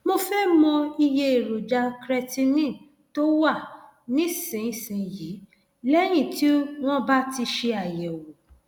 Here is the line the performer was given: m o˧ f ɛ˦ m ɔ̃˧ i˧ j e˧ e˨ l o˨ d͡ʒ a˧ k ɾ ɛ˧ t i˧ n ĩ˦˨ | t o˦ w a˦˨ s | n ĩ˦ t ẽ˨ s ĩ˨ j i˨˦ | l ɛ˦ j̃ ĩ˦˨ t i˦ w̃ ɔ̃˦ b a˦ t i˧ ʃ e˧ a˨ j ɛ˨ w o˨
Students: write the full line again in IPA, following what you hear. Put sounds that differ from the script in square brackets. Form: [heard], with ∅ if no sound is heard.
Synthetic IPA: m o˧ f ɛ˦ m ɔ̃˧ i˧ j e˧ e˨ [ɾ] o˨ d͡ʒ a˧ k ɾ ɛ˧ t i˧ n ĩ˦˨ | t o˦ w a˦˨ [∅] | n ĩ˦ [s] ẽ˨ s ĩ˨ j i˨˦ | l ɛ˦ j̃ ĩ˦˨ t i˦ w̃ ɔ̃˦ b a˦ t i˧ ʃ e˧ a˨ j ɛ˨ w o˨